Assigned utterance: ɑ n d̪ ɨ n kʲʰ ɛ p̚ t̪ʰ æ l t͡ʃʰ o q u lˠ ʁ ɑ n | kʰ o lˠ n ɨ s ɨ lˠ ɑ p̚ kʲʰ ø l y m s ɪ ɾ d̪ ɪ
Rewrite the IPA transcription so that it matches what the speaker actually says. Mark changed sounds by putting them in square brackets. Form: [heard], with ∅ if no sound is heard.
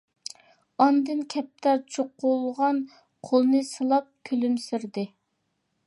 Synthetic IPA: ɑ n d̪ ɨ n kʲʰ ɛ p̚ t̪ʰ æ [ɾ] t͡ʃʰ o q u lˠ ʁ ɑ n | [qʰ] o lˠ n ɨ s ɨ lˠ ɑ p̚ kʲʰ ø l y m s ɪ ɾ d̪ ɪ

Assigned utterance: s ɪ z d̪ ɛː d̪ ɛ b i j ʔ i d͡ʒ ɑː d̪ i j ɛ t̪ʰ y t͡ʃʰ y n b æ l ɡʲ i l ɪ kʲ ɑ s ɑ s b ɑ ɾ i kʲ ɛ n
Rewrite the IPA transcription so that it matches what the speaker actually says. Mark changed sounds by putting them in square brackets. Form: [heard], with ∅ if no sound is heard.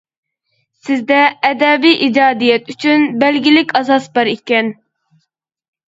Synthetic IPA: s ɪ z d̪ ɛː d̪ ɛ b i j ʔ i d͡ʒ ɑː d̪ i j ɛ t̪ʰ y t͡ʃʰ y n b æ l ɡʲ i l ɪ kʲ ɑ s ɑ s b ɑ ɾ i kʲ ɛ n

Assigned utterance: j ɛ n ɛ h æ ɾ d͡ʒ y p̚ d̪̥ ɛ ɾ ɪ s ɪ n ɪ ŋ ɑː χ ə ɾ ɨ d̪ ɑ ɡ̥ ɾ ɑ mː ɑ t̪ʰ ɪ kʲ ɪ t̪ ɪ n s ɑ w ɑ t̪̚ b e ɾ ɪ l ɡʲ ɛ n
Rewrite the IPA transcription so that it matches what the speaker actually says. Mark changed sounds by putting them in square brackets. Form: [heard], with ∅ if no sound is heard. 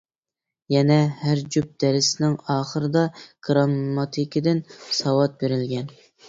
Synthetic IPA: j ɛ n ɛ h æ ɾ d͡ʒ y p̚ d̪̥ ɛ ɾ ɪ s ɪ n ɪ ŋ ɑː χ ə ɾ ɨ d̪ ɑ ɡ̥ ɾ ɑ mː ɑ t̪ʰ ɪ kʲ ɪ [d̪] ɪ n s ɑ w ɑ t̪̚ b e ɾ ɪ l ɡʲ ɛ n

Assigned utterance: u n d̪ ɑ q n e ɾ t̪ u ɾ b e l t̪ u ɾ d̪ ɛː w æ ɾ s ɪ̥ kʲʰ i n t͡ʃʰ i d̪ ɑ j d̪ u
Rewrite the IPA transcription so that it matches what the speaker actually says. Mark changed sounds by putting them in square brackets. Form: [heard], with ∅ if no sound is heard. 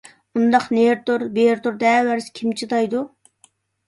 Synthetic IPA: u n d̪ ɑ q n e ɾ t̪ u ɾ b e [ɾ] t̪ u ɾ d̪ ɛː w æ ɾ s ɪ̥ kʲʰ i [m] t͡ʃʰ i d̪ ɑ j d̪ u

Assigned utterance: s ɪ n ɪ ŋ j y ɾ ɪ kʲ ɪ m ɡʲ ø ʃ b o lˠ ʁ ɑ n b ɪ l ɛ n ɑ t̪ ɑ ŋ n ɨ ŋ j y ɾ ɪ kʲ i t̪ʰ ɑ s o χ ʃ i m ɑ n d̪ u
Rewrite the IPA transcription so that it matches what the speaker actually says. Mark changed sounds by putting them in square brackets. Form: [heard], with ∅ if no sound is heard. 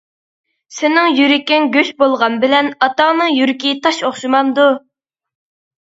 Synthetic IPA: s ɪ n ɪ ŋ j y ɾ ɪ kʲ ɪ [ŋ] ɡʲ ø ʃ b o lˠ ʁ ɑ n b ɪ l ɛ n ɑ t̪ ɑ ŋ n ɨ ŋ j y ɾ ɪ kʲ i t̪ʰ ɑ [ʃ] o χ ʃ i m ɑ n d̪ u

